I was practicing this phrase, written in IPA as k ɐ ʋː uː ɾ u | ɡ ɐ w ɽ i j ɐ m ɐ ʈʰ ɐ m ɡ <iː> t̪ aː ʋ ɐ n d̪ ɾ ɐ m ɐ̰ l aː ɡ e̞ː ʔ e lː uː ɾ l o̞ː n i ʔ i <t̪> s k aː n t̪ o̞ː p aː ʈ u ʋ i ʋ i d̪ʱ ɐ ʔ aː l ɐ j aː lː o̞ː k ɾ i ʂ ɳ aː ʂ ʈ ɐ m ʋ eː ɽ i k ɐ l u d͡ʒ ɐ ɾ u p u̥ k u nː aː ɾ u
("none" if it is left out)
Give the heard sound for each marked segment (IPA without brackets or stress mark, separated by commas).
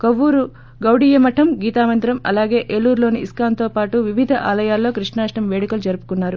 iː, none